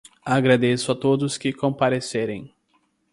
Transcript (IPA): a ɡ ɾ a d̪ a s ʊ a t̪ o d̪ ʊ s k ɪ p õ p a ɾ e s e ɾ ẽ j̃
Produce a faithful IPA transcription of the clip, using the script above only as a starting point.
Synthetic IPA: a ɡ ɾ a d̪ e s ʊ a t̪ o d̪ ʊ s k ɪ k õ p a ɾ e s e ɾ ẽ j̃